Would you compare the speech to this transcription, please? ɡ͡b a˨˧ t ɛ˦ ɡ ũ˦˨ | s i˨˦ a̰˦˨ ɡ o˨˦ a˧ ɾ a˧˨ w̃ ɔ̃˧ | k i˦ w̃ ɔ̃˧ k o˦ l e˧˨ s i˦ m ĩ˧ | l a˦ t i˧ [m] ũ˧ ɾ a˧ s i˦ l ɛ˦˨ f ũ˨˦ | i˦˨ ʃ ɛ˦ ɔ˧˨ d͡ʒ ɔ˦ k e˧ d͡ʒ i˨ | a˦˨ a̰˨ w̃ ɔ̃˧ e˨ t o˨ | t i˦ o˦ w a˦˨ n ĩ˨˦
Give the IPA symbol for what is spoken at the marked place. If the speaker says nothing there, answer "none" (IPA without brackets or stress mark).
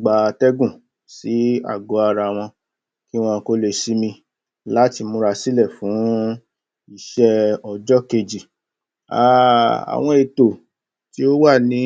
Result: m